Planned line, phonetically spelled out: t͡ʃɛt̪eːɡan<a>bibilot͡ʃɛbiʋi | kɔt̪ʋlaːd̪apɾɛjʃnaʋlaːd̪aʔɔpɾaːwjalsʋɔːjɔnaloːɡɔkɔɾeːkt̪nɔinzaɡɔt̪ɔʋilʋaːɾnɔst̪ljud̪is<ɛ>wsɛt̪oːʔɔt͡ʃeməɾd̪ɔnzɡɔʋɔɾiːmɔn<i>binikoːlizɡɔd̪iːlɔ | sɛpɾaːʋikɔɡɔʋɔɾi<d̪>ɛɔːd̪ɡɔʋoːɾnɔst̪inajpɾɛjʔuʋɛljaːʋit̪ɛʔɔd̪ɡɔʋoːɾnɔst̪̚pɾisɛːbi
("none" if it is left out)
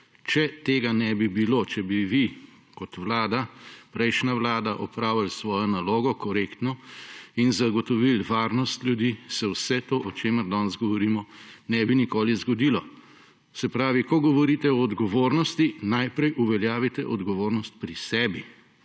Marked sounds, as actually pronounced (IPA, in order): ɛ, ɛ, ɛ, t̪

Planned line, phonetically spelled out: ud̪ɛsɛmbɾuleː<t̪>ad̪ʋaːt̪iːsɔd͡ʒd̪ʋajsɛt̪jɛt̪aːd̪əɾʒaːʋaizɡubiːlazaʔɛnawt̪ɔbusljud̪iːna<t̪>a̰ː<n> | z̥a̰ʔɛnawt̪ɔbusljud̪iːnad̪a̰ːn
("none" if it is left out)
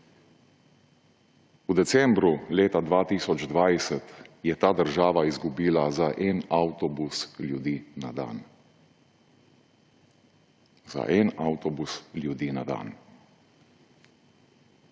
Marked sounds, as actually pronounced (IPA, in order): t̪, d̪, n

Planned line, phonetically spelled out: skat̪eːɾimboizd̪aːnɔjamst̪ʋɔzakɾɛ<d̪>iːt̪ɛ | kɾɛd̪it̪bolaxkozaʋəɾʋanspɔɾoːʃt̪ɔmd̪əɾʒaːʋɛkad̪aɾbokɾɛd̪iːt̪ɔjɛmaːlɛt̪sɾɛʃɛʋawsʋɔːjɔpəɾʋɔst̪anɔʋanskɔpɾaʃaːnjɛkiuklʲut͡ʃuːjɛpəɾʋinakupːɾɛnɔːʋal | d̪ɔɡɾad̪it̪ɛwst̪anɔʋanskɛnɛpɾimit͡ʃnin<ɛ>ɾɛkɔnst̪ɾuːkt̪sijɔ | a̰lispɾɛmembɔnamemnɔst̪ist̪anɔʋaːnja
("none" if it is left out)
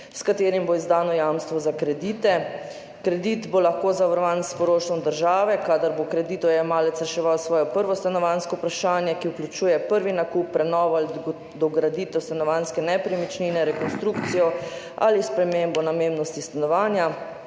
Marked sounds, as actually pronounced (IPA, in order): d̪, ɛ

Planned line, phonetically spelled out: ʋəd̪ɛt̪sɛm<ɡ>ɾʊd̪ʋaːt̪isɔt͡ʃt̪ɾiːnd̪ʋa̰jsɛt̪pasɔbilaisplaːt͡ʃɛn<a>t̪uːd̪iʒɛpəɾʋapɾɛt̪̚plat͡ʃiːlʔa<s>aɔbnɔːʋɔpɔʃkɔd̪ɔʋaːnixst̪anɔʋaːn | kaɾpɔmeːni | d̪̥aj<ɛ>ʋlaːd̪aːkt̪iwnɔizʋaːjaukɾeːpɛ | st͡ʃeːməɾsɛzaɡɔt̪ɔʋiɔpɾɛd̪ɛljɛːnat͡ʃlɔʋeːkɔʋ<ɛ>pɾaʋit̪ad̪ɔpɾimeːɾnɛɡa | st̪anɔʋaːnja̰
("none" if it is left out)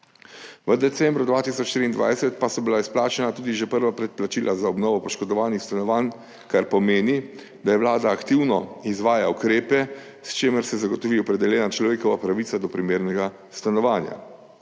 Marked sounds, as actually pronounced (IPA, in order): b, a, z, ɛ, a

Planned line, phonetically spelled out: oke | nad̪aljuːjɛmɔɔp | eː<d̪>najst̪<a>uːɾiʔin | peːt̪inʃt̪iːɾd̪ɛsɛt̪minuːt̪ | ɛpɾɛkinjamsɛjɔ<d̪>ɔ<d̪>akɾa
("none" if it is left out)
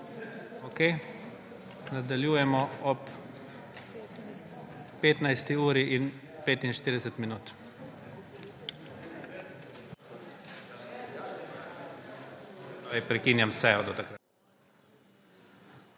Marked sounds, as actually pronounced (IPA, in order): t̪, i, d̪, t̪

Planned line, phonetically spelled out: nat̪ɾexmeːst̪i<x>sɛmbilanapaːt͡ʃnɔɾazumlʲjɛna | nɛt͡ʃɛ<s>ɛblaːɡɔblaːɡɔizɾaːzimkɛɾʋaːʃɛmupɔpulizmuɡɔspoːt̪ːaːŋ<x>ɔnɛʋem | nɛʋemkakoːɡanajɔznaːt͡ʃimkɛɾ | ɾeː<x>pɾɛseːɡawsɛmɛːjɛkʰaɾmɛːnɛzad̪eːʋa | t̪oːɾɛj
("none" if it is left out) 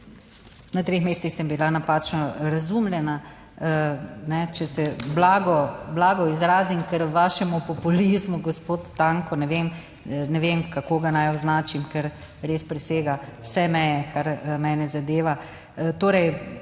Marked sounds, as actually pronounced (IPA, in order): x, s, k, s

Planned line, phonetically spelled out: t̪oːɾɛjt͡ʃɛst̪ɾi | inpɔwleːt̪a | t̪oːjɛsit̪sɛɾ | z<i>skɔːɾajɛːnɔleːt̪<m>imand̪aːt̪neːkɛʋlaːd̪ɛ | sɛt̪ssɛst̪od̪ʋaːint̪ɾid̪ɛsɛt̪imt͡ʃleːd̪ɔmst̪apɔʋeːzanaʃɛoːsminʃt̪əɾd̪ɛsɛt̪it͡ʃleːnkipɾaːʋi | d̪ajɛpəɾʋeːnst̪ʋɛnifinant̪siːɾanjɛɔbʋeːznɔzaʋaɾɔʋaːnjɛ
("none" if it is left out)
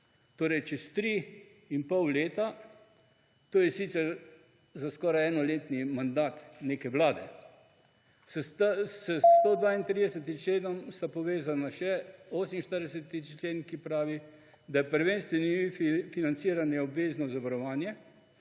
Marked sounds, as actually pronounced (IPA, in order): a, n

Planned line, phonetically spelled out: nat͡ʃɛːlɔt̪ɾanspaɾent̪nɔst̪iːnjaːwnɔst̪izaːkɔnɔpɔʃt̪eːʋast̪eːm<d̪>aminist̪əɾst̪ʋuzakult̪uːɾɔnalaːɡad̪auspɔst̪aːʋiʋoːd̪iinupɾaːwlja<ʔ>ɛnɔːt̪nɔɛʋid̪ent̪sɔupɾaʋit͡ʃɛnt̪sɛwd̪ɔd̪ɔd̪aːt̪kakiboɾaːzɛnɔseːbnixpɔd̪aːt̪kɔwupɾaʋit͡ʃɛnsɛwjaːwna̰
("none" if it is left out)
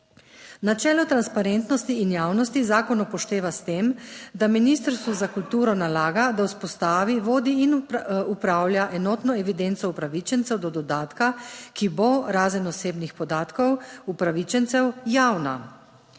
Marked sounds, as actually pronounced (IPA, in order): d̪, ʔ

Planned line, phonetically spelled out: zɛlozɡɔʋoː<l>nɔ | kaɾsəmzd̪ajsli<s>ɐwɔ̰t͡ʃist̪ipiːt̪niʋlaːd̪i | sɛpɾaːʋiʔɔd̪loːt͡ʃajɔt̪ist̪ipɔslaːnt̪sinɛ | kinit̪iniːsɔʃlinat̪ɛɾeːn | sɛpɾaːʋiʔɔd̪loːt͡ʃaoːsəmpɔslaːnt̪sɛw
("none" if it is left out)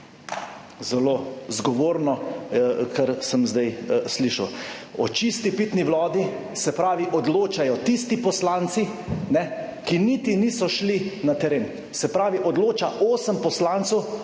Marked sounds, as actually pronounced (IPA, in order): ɾ, ʃ

